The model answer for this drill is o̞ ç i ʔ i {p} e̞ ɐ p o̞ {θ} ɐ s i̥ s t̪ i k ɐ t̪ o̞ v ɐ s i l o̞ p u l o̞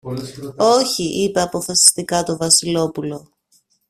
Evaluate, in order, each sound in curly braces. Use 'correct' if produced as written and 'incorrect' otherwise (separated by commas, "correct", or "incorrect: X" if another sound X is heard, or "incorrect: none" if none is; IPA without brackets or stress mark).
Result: correct, incorrect: f